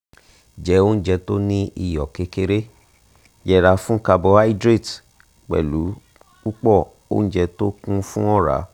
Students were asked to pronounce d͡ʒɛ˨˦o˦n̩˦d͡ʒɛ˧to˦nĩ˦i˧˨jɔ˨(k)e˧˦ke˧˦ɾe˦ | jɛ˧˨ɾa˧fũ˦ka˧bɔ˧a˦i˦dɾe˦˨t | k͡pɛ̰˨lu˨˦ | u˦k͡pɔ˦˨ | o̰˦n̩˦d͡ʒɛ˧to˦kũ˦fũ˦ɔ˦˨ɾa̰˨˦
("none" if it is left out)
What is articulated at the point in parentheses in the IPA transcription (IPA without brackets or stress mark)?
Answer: k